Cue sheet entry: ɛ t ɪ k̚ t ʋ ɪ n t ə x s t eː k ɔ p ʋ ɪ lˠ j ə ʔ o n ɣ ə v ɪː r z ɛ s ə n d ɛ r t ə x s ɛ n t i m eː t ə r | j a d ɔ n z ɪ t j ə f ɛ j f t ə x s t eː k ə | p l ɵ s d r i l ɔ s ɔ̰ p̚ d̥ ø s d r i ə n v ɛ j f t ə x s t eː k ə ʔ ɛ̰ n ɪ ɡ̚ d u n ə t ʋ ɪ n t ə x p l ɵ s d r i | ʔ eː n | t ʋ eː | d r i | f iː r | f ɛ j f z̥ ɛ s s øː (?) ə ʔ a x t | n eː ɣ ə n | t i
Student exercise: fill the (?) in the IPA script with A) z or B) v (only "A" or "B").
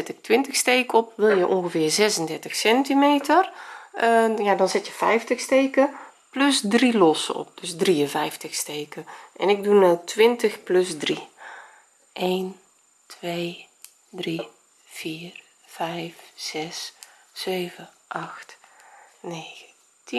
B